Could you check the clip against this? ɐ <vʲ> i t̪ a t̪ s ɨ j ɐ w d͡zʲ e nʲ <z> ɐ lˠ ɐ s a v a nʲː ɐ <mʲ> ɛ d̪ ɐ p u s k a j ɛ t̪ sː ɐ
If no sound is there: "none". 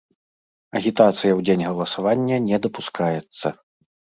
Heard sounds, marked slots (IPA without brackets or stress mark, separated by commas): ɣʲ, ɣ, nʲ